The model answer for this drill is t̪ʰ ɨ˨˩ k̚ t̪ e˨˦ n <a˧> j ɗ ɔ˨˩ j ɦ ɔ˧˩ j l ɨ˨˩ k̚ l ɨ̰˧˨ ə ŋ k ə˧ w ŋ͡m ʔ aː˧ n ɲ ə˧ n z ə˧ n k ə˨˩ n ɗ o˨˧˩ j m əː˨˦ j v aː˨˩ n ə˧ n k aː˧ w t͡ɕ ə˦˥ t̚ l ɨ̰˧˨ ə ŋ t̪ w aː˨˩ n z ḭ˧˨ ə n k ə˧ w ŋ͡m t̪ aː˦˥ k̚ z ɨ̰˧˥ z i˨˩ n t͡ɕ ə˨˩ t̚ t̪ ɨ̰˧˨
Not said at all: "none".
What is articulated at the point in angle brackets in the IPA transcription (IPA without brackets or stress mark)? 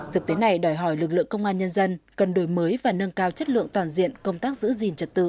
a˨˩